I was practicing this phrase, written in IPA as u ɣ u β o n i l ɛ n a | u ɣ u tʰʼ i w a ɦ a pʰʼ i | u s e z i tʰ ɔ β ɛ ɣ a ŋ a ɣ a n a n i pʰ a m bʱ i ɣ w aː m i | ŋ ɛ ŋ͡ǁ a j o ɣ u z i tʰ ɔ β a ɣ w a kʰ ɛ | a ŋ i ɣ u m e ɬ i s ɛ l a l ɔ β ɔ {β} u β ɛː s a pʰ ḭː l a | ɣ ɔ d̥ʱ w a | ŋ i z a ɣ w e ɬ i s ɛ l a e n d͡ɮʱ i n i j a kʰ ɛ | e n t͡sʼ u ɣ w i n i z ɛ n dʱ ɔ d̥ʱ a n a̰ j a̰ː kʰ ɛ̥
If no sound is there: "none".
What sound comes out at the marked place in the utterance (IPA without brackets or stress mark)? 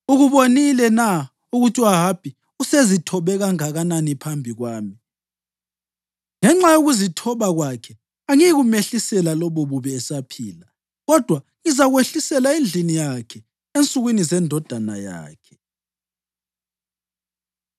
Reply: β